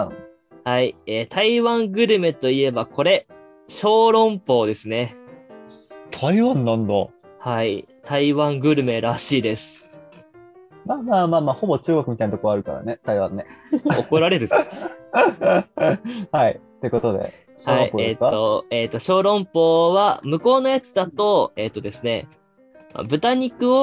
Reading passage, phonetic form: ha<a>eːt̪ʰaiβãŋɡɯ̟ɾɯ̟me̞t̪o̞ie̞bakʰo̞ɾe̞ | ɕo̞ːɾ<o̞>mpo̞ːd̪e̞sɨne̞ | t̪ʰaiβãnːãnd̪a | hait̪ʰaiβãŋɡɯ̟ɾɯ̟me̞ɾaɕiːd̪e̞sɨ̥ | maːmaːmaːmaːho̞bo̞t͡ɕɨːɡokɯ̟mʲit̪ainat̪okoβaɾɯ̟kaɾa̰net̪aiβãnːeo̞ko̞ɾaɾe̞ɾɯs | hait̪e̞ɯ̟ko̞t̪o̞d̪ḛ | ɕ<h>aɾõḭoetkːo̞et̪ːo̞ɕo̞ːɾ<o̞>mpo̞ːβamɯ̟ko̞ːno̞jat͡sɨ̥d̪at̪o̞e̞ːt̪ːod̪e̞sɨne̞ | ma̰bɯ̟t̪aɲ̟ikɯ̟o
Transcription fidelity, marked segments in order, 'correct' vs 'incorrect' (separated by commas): incorrect, incorrect, correct, incorrect